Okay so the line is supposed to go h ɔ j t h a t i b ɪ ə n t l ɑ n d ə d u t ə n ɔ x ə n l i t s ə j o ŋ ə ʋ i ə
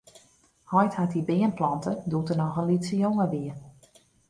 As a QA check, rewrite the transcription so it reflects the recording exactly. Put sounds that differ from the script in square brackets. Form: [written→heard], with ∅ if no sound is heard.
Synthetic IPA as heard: h ɔ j t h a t i b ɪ ə n [t→p] l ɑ n [d→t] ə d u t ə n ɔ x ə n l i t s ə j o ŋ ə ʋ i ə

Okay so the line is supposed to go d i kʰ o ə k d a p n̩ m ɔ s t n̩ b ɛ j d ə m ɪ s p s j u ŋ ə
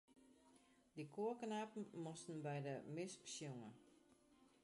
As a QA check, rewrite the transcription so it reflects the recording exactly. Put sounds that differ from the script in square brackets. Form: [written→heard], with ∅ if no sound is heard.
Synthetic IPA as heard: d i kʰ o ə k [d→n] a p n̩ m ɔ s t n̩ b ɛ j d ə m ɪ s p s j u ŋ ə

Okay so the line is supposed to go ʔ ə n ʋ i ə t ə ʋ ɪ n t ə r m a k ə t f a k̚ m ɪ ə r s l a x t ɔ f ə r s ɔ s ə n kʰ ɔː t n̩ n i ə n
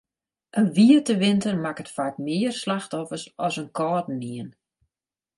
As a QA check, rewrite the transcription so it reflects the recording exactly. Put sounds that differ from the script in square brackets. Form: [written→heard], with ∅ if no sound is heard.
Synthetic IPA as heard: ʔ ə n ʋ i ə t ə ʋ ɪ n t ə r m a k ə t f a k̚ m ɪ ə r s l a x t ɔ f ə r s ɔ s ə n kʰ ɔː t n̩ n i ə n

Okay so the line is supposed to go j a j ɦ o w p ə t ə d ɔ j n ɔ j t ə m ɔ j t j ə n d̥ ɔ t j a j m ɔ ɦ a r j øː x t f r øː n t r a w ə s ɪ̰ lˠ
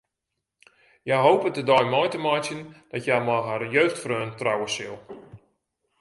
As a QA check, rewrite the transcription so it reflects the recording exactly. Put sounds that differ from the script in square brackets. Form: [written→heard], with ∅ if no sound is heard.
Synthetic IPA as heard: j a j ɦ o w p ə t ə d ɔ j [n→m] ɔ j t ə m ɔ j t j ə n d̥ ɔ t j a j m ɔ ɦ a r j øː x t f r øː n t r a w ə s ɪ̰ lˠ

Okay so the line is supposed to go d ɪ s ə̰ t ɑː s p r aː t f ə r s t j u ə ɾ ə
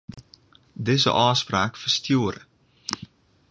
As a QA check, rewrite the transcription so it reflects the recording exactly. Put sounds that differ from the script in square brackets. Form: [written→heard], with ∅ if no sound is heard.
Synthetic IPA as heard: d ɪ [s→z] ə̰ [t→ʔ] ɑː s p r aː [t→k] f ə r s t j u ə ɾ ə

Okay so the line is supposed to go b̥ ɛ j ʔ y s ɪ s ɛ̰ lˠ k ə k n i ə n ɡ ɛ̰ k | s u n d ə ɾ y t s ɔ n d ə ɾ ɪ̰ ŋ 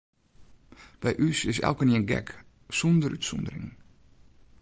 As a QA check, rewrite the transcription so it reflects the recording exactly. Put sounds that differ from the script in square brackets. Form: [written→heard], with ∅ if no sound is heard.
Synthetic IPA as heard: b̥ ɛ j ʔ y s ɪ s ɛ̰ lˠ k ə [k→∅] n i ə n ɡ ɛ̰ k | s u n d ə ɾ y t s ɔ n d ə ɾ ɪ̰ ŋ

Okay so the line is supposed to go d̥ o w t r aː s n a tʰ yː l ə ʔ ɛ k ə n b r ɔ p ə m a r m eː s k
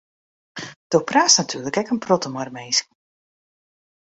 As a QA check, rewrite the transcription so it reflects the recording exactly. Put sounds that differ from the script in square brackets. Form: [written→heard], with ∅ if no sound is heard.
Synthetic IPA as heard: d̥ o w [t→p] r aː s n a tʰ yː l ə [ʔ→k] ɛ k ə n [b→p] r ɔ [p→t] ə m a r m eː s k

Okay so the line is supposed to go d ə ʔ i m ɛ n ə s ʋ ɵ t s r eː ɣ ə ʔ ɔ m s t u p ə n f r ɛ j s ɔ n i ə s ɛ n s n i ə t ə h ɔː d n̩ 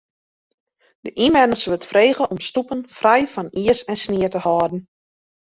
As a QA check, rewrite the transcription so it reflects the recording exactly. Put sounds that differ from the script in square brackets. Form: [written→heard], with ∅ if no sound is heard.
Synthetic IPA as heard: d ə ʔ i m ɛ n ə s ʋ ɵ t [s→f] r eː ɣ ə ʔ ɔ m s t u p ə n f r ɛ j [s→f] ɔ n i ə s ɛ n s n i ə t ə h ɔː d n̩

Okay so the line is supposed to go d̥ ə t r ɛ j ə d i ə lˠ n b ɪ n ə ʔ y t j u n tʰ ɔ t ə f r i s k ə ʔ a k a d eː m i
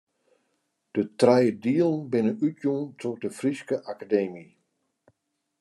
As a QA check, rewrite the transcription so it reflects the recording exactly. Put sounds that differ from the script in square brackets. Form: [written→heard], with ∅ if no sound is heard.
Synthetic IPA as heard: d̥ ə t r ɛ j ə d i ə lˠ n b ɪ n ə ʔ y t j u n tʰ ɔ [t→d] ə f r i s k ə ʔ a k a d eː m i

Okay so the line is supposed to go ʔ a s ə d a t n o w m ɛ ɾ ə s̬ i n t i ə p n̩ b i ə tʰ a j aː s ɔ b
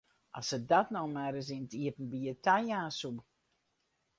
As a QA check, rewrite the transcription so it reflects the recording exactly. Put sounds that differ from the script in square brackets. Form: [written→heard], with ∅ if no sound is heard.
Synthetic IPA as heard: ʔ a s ə d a t n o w m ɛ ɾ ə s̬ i n t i ə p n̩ b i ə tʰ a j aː s [ɔ→u] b

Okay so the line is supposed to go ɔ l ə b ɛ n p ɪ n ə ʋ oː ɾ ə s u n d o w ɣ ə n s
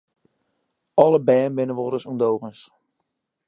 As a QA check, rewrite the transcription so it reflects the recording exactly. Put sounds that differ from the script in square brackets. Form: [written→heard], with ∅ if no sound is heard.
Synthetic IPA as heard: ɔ l ə b [ɛ→ɛː] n [p→b] ɪ n ə ʋ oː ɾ ə s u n d o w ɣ ə n s

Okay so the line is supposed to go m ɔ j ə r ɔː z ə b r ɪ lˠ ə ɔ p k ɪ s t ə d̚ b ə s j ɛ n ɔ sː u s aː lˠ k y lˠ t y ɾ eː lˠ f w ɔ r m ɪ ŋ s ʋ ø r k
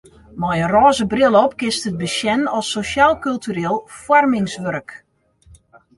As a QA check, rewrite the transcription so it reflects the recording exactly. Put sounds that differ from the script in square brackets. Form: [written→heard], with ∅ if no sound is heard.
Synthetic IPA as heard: m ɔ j ə r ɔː z ə b r ɪ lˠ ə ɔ p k ɪ s t ə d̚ b ə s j ɛ n ɔ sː [u→o] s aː lˠ k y lˠ t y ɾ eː lˠ f w ɔ r m ɪ ŋ s ʋ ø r k

